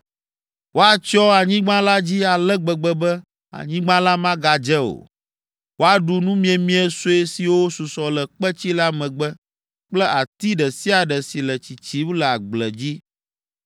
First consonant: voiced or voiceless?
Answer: voiced